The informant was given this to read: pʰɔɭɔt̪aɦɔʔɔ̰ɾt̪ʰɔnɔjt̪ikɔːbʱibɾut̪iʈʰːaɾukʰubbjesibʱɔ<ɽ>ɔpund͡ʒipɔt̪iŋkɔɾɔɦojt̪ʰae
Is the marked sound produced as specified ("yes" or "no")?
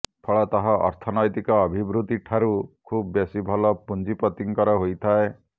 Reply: no